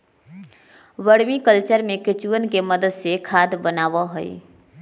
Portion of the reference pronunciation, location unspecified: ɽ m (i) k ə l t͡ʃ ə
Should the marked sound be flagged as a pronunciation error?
no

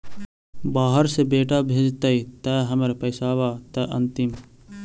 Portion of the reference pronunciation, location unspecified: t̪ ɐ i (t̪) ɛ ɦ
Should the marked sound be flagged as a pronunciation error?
no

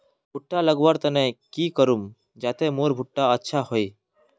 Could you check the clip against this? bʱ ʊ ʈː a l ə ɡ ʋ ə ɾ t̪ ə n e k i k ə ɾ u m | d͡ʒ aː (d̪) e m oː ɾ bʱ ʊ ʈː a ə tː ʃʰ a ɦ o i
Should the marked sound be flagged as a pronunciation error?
yes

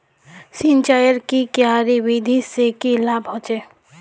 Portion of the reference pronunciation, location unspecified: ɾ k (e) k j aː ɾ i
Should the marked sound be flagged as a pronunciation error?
yes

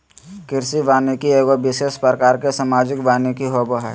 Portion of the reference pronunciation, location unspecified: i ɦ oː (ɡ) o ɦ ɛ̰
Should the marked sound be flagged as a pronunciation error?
yes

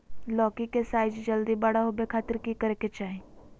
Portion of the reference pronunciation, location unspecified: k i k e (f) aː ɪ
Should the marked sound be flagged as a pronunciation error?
yes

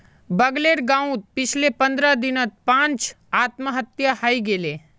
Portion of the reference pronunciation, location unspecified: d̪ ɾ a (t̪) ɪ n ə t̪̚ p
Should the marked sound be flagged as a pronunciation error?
yes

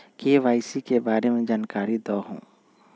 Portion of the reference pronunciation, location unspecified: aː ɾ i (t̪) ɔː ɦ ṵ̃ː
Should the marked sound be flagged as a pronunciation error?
yes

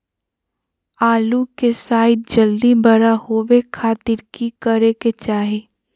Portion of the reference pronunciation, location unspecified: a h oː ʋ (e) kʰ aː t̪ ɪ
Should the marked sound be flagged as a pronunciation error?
no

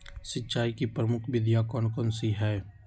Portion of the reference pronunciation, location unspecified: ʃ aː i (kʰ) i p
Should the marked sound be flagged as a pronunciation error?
yes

